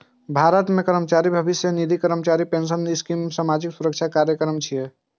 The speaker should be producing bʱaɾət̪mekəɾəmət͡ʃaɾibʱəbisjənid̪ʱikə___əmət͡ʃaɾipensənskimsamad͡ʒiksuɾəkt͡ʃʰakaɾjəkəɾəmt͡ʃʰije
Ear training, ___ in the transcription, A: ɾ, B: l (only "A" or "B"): A